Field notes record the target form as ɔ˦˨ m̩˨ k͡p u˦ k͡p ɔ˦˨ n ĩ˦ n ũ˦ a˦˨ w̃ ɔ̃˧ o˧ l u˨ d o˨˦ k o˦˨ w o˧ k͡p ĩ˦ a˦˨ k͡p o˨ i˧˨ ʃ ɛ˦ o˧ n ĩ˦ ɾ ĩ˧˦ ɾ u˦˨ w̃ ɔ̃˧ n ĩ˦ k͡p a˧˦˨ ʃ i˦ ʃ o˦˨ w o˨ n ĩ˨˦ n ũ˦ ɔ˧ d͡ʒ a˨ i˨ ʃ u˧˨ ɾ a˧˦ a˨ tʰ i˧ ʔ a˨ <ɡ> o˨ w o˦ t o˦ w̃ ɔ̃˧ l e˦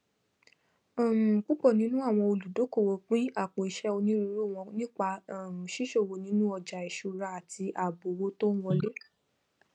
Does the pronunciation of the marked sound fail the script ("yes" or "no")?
yes